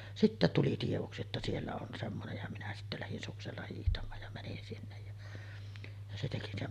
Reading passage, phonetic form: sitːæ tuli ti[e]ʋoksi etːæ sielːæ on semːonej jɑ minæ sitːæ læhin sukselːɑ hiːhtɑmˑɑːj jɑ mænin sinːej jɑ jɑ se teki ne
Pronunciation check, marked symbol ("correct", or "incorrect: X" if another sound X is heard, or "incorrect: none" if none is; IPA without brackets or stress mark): correct